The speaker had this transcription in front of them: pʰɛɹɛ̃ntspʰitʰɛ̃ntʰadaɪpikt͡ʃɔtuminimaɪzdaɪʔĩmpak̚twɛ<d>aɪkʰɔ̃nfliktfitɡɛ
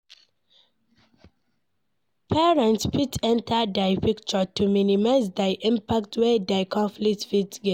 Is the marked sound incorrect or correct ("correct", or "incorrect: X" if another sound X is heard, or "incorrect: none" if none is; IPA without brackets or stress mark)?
correct